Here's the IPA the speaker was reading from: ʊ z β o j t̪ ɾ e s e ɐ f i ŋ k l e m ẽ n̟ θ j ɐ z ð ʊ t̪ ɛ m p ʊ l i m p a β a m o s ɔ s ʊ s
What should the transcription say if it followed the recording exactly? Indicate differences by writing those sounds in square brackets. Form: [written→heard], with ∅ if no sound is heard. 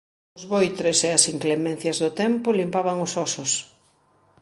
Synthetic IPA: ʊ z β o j t̪ ɾ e s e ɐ [f→s] i ŋ k l e m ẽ n̟ θ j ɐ z ð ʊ t̪ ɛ m p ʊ l i m p a β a [m→ŋ] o s ɔ s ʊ s

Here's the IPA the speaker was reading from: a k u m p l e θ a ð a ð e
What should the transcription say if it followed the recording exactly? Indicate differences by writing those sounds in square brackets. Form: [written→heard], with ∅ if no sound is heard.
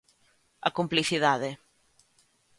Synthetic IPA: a k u m p l [e→i] θ [a→i] ð a ð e

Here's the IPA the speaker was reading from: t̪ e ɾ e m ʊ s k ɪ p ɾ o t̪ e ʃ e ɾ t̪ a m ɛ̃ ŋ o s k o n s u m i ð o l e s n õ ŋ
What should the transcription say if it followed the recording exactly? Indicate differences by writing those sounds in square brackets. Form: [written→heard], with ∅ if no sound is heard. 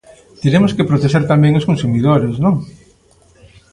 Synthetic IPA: t̪ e ɾ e m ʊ s k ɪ p ɾ o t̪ e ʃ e ɾ t̪ a m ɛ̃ ŋ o s k o n s u m i ð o [l→ɾ] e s n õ ŋ

